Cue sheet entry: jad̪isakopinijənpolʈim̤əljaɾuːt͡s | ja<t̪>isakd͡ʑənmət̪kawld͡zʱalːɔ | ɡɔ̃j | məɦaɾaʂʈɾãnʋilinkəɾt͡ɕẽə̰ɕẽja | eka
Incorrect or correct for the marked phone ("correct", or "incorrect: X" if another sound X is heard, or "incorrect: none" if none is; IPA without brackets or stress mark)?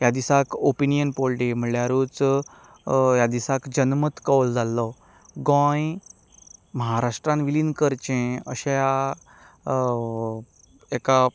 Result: incorrect: d̪